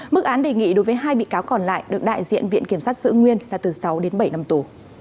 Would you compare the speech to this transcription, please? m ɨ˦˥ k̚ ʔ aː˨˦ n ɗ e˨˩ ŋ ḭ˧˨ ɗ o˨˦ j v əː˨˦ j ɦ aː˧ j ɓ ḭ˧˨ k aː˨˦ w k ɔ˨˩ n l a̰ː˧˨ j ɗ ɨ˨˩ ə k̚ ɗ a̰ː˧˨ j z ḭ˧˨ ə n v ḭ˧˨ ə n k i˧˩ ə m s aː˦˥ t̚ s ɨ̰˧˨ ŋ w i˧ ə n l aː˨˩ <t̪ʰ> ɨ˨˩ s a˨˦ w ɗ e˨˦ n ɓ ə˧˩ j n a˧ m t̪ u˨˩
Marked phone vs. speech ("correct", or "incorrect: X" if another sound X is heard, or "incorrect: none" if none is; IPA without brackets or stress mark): incorrect: t̪